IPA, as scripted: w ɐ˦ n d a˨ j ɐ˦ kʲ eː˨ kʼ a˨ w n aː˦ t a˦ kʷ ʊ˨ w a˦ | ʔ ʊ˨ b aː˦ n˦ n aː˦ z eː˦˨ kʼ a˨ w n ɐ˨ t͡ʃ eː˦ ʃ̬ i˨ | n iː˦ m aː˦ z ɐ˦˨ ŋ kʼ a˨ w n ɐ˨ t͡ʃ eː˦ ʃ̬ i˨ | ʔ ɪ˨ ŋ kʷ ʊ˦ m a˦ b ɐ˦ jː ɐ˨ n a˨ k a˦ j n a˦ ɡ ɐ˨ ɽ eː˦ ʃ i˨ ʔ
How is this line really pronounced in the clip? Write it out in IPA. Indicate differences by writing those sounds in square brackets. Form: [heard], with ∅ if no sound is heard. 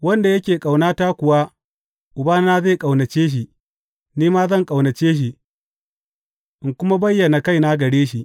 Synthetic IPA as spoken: w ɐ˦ n d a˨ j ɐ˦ kʲ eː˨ kʼ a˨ w n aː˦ t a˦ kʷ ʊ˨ w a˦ | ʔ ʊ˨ b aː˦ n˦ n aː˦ z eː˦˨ kʼ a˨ w n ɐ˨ t͡ʃ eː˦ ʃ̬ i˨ | n iː˦ m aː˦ z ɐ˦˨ ŋ kʼ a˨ w n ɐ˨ t͡ʃ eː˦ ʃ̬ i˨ | ʔ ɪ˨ ŋ kʷ ʊ˦ m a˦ b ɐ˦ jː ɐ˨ n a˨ k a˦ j n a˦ ɡ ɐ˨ ɽ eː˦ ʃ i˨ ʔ